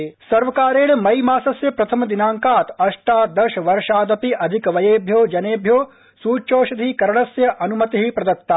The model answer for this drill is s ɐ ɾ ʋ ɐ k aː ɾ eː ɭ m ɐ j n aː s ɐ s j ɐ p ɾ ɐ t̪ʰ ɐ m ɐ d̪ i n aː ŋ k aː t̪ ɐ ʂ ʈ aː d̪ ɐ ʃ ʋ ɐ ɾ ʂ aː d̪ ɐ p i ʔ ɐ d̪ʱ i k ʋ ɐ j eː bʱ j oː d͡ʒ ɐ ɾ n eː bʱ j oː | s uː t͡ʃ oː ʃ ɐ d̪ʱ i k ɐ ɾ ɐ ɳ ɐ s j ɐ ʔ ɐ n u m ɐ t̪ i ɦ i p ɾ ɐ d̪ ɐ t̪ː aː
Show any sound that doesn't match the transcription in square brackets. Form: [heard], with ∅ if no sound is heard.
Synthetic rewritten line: s ɐ ɾ ʋ ɐ k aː ɾ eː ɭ m ɐ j [m] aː s ɐ s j ɐ p ɾ ɐ t̪ʰ ɐ m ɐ d̪ i n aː ŋ k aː t̪ ɐ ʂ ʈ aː d̪ ɐ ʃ ʋ ɐ ɾ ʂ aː d̪ ɐ p i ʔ ɐ d̪ʱ i k ʋ ɐ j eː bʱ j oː d͡ʒ ɐ [∅] n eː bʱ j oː | s uː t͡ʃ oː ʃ ɐ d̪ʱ i k ɐ ɾ ɐ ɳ ɐ s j ɐ ʔ ɐ n u m ɐ t̪ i ɦ i p ɾ ɐ d̪ ɐ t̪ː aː

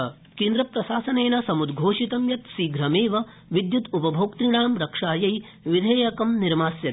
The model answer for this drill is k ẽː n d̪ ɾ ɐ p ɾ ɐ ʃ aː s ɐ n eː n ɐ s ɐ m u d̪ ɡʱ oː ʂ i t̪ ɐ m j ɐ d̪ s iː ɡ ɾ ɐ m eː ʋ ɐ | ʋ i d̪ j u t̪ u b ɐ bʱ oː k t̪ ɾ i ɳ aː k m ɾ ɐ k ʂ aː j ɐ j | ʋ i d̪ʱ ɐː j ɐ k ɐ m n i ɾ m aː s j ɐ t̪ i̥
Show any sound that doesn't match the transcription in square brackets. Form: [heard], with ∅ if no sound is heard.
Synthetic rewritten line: k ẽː n d̪ ɾ ɐ p ɾ ɐ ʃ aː s ɐ n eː n ɐ s ɐ m u d̪ ɡʱ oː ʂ i t̪ ɐ m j ɐ [t̪] s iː ɡ ɾ ɐ m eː ʋ ɐ | ʋ i d̪ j u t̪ u [p] ɐ bʱ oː k t̪ ɾ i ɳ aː [∅] m ɾ ɐ k ʂ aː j ɐ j | ʋ i d̪ʱ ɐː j ɐ k ɐ m n i ɾ m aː s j ɐ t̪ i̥

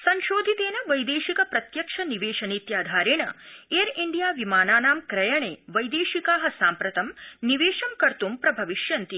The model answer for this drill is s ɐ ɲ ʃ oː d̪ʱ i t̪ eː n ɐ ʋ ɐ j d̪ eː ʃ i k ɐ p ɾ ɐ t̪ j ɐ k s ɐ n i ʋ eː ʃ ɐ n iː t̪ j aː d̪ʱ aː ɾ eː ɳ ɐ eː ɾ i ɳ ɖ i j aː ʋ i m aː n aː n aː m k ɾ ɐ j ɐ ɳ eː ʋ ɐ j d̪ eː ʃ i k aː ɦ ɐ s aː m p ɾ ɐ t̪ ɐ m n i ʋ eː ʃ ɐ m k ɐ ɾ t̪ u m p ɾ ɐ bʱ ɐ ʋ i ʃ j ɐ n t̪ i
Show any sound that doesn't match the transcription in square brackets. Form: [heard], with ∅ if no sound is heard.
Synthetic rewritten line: s ɐ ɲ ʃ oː d̪ʱ i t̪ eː n ɐ ʋ ɐ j d̪ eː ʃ i k ɐ p ɾ ɐ t̪ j ɐ k [ʂ] ɐ n i ʋ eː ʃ ɐ n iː t̪ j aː d̪ʱ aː ɾ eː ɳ ɐ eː ɾ i ɳ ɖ i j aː ʋ i m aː n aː n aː m k ɾ ɐ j ɐ ɳ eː ʋ ɐ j d̪ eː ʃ i k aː ɦ ɐ s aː m p ɾ ɐ t̪ ɐ m n i ʋ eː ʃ ɐ m k ɐ ɾ t̪ u m p ɾ ɐ bʱ ɐ ʋ i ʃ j ɐ n t̪ i

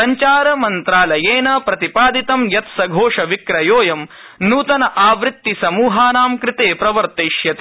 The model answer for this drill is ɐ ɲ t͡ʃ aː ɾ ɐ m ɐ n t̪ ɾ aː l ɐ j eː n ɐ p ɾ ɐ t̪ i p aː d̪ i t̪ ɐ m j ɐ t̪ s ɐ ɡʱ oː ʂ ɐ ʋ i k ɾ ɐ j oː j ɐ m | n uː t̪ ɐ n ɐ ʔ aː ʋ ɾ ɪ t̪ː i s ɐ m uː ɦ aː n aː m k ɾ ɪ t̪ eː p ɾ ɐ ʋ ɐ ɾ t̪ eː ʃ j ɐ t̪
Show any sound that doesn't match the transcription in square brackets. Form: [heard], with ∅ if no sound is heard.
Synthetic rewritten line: ɐ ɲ t͡ʃ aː ɾ ɐ m ɐ n t̪ ɾ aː l ɐ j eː n ɐ p ɾ ɐ t̪ i p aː d̪ i t̪ ɐ m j ɐ t̪ s ɐ ɡʱ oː ʂ ɐ ʋ i k ɾ ɐ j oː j ɐ m | n uː t̪ ɐ n ɐ ʔ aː ʋ ɾ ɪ t̪ː i s ɐ m uː ɦ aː n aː m k ɾ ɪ t̪ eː p ɾ ɐ ʋ ɐ ɾ t̪ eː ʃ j ɐ t̪

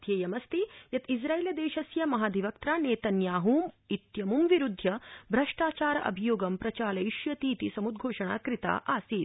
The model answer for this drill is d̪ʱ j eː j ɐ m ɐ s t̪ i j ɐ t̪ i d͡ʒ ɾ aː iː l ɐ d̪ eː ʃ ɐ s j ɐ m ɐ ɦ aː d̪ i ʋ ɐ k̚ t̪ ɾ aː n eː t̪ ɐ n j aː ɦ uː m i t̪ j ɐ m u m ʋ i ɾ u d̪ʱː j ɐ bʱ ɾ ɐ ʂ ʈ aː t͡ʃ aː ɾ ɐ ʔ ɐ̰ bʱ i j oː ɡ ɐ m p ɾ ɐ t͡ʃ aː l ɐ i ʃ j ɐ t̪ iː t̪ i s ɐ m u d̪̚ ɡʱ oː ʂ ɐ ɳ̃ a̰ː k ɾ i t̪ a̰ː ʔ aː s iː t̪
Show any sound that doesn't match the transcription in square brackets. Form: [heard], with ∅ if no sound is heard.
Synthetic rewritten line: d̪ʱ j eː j ɐ m ɐ s t̪ i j ɐ t̪ i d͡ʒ ɾ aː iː l ɐ d̪ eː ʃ ɐ s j ɐ m ɐ ɦ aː d̪ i ʋ ɐ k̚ t̪ ɾ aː n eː t̪ ɐ n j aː ɦ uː m i t̪ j ɐ m u m ʋ i ɾ u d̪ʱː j ɐ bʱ ɾ ɐ ʂ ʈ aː t͡ʃ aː ɾ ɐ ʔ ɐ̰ bʱ i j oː ɡ ɐ m p ɾ ɐ t͡ʃ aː l ɐ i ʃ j ɐ t̪ iː t̪ i s ɐ m u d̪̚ ɡʱ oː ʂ ɐ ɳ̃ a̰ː k ɾ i t̪ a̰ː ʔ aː s iː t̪

